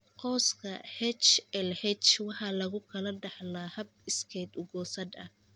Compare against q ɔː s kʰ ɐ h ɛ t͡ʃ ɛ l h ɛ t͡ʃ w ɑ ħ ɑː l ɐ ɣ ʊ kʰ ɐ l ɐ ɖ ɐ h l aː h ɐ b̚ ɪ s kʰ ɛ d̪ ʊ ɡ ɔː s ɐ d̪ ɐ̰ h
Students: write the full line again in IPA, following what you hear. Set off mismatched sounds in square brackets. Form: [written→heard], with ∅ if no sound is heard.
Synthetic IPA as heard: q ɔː s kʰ ɐ h ɛ t͡ʃ ɛ l h ɛ t͡ʃ w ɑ ħ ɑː l ɐ ɣ ʊ kʰ ɐ l ɐ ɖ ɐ [h→ħ] l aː h ɐ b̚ ɪ s kʰ ɛ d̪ ʊ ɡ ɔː s ɐ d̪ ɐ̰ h